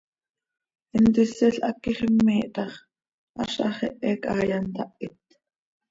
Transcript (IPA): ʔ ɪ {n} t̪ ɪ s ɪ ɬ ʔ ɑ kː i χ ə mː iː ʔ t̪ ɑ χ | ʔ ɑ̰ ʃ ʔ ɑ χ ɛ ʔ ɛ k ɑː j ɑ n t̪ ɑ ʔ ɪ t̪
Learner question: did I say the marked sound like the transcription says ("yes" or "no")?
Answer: yes